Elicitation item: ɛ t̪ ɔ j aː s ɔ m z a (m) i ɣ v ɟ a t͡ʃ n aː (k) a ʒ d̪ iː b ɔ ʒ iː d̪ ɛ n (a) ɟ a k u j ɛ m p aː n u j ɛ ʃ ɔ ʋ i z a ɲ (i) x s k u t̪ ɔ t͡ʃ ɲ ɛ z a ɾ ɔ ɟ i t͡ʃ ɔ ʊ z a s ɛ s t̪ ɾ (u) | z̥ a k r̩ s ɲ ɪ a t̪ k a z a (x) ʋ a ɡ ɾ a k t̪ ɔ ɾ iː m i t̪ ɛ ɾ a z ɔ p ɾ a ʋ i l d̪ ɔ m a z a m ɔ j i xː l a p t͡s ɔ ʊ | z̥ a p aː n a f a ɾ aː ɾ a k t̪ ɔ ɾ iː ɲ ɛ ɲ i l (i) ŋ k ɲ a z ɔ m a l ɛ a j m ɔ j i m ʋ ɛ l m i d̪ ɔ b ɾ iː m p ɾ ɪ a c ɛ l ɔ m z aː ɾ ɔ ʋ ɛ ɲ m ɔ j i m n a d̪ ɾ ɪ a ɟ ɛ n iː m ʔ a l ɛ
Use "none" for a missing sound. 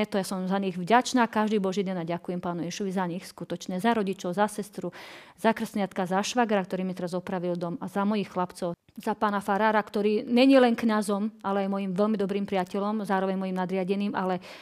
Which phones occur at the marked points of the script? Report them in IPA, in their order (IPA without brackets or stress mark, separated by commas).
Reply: ɲ, k, a, i, u, ʃ, ɛ